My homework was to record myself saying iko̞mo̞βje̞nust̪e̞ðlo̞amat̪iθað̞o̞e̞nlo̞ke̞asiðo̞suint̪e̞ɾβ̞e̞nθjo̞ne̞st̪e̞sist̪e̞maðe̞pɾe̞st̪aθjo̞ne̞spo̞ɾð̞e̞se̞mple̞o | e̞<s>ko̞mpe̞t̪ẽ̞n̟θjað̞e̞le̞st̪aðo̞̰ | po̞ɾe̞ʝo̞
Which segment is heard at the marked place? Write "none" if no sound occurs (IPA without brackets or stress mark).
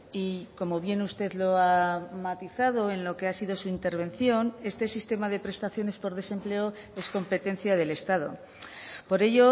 s